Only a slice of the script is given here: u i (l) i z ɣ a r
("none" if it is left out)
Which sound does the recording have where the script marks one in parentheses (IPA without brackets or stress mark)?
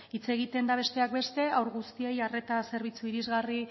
ɾ